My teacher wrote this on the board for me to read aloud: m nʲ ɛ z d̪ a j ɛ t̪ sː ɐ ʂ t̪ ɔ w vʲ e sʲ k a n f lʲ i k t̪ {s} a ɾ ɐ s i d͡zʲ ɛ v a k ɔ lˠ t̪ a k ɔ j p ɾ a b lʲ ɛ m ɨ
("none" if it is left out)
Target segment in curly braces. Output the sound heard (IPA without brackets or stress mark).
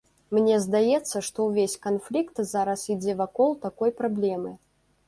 z